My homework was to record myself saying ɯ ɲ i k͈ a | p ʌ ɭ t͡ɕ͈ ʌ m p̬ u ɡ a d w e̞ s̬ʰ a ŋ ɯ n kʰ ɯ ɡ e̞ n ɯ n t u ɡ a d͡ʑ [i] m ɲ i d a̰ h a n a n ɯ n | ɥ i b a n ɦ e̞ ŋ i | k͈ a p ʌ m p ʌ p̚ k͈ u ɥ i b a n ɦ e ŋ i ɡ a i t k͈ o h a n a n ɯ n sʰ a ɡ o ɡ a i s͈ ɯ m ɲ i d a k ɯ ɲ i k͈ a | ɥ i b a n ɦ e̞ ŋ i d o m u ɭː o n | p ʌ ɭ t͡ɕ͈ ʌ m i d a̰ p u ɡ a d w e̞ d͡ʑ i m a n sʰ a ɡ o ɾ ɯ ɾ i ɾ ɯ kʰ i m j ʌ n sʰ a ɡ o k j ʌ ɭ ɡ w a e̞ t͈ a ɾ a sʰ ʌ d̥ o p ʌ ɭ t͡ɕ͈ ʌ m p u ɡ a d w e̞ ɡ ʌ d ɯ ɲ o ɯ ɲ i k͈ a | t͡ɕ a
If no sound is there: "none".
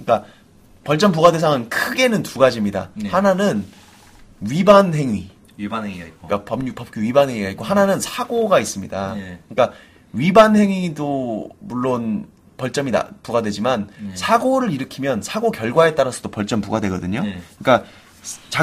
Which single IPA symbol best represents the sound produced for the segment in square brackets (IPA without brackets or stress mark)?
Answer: i